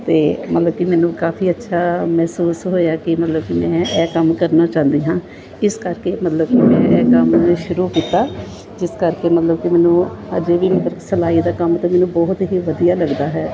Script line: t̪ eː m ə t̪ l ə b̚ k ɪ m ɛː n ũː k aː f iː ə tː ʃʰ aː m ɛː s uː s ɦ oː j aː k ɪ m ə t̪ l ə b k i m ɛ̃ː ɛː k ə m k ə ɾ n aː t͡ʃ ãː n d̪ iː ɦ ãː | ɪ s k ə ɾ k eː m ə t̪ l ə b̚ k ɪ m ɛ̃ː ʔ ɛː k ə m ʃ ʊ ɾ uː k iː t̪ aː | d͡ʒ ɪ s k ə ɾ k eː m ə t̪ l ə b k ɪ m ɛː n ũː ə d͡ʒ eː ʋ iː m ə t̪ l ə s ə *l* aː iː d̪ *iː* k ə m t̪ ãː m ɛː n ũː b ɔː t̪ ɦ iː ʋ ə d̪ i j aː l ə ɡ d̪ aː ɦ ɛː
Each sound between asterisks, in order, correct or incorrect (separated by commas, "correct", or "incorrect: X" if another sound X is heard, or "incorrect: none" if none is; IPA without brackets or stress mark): correct, incorrect: aː